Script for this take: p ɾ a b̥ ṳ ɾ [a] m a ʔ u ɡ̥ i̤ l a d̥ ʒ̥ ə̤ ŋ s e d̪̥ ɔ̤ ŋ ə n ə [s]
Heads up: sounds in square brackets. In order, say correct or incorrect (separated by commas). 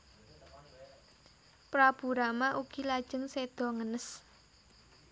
correct, correct